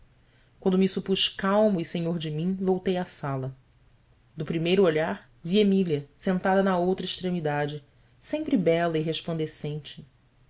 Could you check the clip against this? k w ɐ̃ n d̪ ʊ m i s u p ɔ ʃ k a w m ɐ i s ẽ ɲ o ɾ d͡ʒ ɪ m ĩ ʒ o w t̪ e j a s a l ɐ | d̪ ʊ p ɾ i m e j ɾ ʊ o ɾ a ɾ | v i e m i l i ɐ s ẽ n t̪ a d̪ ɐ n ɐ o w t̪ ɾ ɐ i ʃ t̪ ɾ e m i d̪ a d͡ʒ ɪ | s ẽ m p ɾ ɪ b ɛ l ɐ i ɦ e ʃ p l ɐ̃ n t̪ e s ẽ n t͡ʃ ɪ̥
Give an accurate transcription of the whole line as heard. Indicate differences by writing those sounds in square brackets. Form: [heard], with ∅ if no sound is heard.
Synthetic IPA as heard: k w ɐ̃ n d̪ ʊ m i s u p [u] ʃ k a w m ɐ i s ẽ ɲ o ɾ d͡ʒ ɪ m ĩ [v] o w t̪ e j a s a l ɐ | d̪ ʊ p ɾ i m e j ɾ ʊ o [ʎ] a ɾ | v i e m i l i ɐ s ẽ n t̪ a d̪ ɐ n ɐ o w t̪ ɾ ɐ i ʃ t̪ ɾ e m i d̪ a d͡ʒ ɪ | s ẽ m p ɾ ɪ b ɛ l ɐ i ɦ e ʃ p l ɐ̃ n [d̪] e s ẽ n t͡ʃ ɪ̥